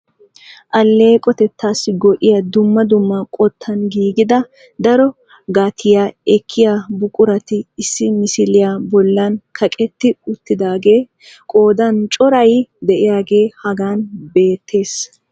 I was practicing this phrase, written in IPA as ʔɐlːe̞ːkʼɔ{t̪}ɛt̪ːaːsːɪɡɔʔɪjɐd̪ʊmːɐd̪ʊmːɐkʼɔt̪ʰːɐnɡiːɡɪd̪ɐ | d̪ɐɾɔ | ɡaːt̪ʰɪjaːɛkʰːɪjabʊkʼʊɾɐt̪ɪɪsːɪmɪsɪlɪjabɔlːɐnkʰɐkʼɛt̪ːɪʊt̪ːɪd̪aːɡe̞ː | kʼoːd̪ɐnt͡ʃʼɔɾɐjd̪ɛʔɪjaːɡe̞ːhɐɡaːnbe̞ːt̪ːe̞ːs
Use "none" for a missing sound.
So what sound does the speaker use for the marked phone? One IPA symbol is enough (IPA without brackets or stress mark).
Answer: t̪